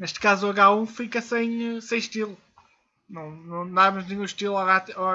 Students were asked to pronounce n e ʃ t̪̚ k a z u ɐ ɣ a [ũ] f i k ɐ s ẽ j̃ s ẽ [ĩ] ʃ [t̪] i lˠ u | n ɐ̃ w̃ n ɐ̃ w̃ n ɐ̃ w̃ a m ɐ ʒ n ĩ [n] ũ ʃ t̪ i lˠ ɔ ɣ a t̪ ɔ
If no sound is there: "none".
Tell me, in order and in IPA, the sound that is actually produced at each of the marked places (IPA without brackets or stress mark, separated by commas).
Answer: ũ, j̃, t̪, ɲ